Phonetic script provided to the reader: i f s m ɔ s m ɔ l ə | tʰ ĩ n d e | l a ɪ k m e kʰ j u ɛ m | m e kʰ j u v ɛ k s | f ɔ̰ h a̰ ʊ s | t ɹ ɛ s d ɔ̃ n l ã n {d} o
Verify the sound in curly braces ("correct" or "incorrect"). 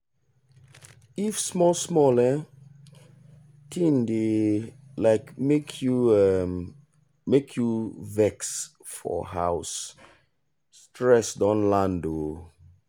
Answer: correct